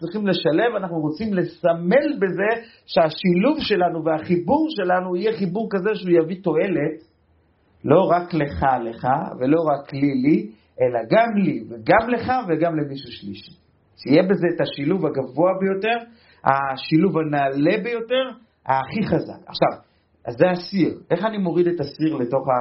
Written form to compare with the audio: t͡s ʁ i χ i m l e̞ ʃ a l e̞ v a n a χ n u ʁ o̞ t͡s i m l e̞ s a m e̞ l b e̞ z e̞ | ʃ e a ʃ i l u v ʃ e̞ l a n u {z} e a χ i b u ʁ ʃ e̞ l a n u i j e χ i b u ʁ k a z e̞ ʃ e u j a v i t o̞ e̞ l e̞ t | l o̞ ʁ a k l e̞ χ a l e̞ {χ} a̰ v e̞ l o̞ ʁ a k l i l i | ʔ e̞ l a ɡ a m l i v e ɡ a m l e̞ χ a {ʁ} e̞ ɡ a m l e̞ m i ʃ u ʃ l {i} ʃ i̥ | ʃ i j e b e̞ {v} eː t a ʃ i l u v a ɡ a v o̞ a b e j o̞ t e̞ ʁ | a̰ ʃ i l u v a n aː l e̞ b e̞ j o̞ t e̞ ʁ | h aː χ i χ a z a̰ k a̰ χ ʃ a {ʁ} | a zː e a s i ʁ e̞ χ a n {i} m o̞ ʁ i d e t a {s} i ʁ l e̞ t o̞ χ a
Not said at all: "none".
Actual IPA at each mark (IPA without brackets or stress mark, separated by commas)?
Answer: v, χ, v, i, z, v, i, s